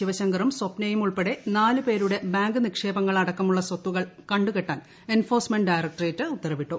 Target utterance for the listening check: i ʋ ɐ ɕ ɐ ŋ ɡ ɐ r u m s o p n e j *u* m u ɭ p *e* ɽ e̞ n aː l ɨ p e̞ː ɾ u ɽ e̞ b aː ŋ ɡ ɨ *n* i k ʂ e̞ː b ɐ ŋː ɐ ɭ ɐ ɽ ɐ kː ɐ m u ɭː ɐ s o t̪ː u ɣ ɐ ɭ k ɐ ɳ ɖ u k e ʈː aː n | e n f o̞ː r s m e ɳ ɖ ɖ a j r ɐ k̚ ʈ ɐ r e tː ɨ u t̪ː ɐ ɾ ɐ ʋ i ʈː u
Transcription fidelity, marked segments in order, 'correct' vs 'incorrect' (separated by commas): correct, correct, correct